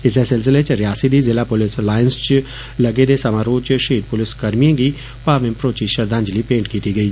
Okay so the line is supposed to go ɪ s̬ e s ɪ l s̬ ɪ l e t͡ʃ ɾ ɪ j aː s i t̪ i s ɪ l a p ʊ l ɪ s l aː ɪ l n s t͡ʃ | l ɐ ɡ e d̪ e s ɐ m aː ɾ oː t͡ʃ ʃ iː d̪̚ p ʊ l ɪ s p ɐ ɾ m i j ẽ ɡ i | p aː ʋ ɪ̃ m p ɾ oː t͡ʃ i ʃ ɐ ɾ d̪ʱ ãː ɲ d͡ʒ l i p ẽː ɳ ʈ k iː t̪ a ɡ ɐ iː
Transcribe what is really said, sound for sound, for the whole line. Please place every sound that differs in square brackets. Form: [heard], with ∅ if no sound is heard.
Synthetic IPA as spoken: ɪ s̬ e s ɪ l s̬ ɪ l e t͡ʃ ɾ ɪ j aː s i [d̪] i [z] ɪ l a p ʊ l ɪ s l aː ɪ [∅] n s t͡ʃ | l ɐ ɡ e d̪ e s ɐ m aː ɾ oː t͡ʃ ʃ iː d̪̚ p ʊ l ɪ s [k] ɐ ɾ m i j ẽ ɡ i | p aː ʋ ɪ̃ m p ɾ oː t͡ʃ i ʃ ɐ ɾ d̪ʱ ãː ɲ d͡ʒ l i p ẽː ɳ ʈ k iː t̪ [i] ɡ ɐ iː